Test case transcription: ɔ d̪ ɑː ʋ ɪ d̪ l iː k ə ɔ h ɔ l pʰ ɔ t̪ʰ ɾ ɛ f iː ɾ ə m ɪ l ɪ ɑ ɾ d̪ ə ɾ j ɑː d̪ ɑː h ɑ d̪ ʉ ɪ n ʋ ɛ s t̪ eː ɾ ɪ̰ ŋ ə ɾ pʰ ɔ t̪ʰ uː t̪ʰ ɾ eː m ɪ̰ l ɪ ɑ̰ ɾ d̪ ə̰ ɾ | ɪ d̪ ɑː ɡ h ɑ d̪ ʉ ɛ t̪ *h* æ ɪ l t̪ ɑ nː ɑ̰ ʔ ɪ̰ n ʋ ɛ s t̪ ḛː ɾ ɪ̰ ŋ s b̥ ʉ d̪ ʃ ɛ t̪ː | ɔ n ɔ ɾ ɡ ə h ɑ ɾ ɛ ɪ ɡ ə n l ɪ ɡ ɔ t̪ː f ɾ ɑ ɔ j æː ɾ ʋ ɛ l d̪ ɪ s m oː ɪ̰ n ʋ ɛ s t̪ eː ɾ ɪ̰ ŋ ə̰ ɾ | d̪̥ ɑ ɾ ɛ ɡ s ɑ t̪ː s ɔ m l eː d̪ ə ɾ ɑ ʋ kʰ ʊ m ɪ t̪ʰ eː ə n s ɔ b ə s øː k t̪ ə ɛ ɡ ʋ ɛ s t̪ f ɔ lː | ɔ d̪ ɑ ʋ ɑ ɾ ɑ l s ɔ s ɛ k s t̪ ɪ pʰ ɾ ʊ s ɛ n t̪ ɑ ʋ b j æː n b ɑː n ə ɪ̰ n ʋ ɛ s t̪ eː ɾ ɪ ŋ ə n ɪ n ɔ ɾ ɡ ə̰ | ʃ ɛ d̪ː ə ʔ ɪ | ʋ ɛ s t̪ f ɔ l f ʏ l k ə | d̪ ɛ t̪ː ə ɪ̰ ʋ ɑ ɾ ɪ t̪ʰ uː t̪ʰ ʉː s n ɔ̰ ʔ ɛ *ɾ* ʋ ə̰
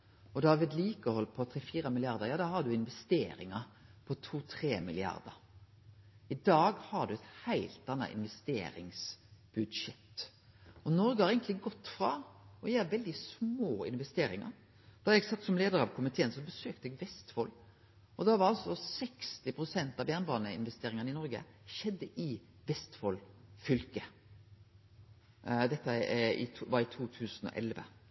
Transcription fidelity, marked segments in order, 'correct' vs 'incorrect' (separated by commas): correct, incorrect